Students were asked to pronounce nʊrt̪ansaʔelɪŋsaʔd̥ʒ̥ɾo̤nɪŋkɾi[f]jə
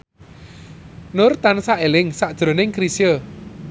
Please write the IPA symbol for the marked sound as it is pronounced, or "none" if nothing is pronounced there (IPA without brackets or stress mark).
s